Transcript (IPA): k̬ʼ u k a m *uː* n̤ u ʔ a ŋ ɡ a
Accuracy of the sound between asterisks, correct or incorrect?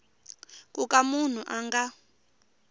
incorrect